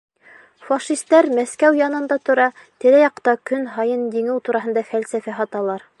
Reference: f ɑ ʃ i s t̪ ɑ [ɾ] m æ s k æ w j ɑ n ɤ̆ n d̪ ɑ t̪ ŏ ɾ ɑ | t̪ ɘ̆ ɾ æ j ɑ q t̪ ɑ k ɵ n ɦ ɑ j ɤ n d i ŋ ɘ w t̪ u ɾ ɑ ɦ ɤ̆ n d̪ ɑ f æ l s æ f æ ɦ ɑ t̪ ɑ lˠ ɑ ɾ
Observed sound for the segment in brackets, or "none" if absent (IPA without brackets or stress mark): ɾ